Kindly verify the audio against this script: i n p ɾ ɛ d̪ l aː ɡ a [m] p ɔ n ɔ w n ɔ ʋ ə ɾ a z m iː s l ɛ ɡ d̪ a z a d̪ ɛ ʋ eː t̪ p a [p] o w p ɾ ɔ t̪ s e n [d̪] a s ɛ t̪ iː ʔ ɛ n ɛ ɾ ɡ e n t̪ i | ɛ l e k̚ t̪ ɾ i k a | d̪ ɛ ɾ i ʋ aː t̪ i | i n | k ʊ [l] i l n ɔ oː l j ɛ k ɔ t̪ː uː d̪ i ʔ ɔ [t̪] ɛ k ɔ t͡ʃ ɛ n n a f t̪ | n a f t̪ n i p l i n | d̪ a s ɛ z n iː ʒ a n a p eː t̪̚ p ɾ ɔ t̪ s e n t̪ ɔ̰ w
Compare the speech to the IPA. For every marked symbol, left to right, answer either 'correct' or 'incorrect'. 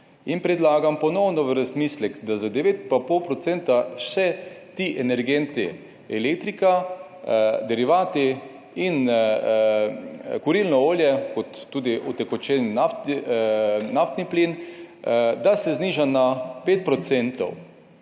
correct, correct, incorrect, incorrect, correct

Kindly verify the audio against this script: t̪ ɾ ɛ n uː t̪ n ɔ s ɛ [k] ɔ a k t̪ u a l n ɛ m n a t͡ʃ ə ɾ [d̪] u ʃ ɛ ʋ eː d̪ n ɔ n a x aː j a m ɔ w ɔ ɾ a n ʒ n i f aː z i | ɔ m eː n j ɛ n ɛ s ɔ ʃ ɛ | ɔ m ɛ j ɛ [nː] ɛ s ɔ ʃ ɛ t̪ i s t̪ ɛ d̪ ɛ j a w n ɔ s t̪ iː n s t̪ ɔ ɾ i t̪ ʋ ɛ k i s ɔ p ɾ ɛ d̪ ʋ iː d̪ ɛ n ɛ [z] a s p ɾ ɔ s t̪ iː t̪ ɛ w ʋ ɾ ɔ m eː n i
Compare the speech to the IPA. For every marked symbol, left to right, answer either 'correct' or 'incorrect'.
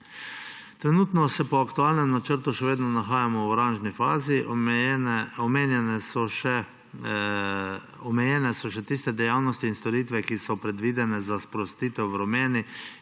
incorrect, incorrect, incorrect, correct

